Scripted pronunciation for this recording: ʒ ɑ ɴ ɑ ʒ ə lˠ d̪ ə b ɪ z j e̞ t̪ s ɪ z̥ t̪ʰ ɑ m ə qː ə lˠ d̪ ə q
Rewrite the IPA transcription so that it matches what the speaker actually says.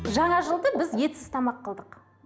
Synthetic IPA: ʒ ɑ ɴ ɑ ʒ ə lˠ d̪ ə b ɪ z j e̞ t̪ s ɪ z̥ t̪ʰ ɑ m ɑ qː ə lˠ d̪ ə q